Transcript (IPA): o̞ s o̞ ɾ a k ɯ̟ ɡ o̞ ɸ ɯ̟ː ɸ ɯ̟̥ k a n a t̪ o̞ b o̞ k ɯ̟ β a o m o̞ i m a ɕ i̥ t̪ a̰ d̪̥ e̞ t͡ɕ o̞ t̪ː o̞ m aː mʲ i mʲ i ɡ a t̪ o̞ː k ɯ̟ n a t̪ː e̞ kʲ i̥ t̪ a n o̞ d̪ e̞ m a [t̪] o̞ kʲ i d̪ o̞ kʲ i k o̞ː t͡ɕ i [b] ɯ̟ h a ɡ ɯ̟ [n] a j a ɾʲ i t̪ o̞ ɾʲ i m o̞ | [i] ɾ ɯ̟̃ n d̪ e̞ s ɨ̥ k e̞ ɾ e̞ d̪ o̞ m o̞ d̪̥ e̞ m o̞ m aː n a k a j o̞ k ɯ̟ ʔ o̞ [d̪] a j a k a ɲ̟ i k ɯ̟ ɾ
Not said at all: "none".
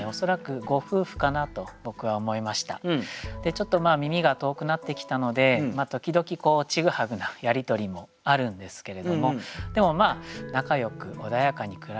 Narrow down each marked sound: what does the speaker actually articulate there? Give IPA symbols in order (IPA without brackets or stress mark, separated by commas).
t̪, ɡ, n, a, d̪